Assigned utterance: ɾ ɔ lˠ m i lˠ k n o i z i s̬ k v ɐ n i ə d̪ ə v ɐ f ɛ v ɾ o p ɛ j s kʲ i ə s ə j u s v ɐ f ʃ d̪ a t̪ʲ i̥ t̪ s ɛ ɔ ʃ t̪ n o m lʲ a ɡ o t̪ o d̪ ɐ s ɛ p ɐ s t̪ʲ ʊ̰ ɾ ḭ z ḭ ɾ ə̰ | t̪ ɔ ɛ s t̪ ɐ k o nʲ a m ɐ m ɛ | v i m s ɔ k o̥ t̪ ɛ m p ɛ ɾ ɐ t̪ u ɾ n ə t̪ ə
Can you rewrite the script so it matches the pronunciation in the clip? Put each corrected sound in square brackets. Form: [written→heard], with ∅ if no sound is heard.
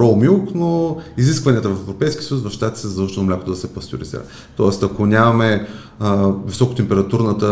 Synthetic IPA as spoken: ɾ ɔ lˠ m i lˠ k n o i z i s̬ k v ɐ n i ə [d̪→t̪] ə v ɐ f ɛ v ɾ o p ɛ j s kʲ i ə s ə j u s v ɐ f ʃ [d̪→t̪] a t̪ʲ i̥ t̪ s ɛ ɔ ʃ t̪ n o m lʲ a [ɡ→k] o t̪ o d̪ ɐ s ɛ p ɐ s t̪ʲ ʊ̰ ɾ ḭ z ḭ ɾ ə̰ | t̪ ɔ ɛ s t̪ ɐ k o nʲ a m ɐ m ɛ | v i [m→∅] s ɔ k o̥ t̪ ɛ m p ɛ ɾ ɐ t̪ u ɾ n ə t̪ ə